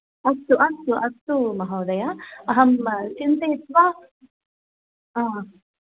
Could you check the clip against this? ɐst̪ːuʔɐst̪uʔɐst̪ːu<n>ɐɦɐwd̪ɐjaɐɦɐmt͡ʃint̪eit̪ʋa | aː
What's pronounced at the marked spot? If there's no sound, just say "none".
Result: m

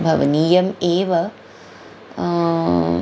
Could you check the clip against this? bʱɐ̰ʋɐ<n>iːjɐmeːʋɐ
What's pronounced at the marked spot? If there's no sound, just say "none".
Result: n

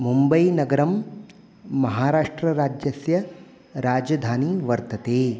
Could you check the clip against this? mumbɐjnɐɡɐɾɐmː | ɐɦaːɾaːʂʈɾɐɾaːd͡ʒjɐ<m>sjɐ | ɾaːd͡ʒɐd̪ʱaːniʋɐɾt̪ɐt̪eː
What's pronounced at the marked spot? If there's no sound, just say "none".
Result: none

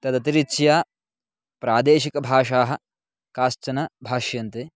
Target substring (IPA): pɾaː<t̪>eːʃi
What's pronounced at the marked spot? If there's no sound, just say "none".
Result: d̪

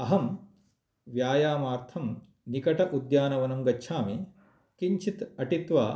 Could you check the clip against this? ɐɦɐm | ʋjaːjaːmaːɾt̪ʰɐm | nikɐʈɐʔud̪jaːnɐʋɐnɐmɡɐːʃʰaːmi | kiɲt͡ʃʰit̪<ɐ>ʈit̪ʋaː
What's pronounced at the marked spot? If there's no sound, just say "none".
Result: ɐ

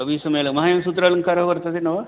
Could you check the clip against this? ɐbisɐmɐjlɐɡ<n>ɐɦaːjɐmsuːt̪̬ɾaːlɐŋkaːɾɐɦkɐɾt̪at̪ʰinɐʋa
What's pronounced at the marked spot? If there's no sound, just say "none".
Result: m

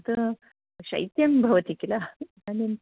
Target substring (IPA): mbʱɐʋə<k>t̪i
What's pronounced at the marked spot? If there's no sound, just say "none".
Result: none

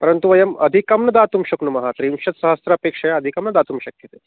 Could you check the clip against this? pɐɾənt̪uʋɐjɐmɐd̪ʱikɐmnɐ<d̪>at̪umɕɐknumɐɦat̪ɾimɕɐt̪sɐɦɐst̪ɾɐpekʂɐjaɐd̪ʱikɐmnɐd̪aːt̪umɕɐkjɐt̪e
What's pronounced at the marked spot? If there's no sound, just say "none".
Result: d̪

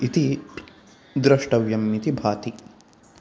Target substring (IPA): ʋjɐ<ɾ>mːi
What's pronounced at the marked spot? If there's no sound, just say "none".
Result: none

